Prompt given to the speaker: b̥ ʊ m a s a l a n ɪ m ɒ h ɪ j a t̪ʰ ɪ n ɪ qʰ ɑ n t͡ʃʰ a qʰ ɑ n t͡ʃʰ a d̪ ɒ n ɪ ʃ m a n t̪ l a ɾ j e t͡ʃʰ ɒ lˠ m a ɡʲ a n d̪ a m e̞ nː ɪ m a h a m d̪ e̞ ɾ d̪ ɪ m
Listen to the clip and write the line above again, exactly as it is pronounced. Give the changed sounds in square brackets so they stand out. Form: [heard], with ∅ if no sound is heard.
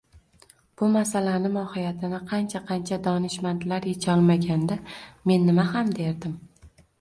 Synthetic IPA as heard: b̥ ʊ m a s a l a n ɪ m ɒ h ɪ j a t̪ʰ ɪ n ɪ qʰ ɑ n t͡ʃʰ a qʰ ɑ n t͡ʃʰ a d̪ ɒ n ɪ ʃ m a n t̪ l a ɾ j e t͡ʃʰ ɒ lˠ m a ɡʲ a n d̪ a m e̞ nː ɪ m a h a m d̪ e̞ ɾ d̪ ɪ m